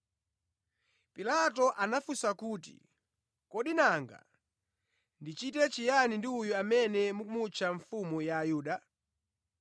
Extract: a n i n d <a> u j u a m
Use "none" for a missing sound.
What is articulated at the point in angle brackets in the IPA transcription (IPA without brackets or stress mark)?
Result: i